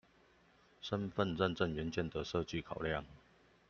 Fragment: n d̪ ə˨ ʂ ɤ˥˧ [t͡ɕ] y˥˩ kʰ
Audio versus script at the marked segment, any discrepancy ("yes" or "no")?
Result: no